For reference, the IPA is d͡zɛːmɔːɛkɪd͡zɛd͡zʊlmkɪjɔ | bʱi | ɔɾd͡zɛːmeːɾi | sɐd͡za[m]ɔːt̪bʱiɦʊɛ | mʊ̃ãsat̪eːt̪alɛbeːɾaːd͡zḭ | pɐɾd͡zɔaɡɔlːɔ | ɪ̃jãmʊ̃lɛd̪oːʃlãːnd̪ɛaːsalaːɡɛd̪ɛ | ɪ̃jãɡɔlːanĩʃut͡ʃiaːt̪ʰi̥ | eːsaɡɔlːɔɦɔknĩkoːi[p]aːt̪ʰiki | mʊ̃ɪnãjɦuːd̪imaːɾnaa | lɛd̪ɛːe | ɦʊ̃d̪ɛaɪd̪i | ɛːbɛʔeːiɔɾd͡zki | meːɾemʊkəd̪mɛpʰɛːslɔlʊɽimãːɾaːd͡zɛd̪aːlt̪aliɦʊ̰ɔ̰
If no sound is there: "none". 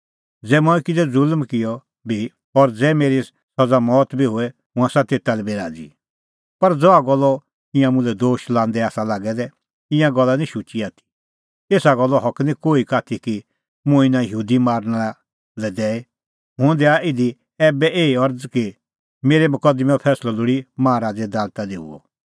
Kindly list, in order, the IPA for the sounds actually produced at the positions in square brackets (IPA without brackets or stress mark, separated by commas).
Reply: m, k